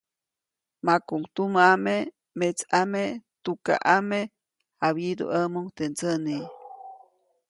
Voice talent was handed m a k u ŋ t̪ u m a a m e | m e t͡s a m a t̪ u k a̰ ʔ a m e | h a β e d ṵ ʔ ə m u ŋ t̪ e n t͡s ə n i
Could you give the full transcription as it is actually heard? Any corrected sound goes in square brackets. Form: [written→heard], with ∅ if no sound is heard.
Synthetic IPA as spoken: m a k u ŋ t̪ u m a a m e | m e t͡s a m [a→e] t̪ u k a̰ ʔ a m e | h a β [e→i] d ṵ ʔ ə m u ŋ t̪ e n t͡s ə n i